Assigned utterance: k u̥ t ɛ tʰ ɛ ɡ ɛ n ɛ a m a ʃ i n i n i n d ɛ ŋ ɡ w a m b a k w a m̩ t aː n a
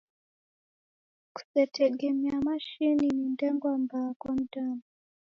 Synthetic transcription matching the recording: k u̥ s ɛ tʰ ɛ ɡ ɛ m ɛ a m a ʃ i n i n i n d ɛ ŋ ɡ w a m b a k w a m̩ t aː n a